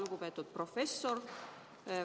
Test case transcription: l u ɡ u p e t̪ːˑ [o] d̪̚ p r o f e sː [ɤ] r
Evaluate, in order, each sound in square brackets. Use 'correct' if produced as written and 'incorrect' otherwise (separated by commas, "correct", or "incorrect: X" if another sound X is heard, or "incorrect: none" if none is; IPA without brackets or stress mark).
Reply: incorrect: u, incorrect: o